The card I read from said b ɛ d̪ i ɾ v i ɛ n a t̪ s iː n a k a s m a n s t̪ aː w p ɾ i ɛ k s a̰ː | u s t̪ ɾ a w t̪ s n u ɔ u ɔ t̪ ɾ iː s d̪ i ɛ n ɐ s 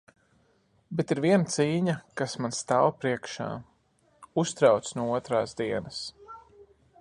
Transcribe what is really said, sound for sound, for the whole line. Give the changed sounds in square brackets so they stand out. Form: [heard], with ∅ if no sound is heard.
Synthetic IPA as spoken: b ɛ [t̪] i ɾ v i ɛ n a t̪ s iː [ɲ] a k a s m a n s t̪ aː w p ɾ i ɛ k [ʃ] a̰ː | u s t̪ ɾ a w t̪ s n u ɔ u ɔ t̪ ɾ [aː] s d̪ i ɛ n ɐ s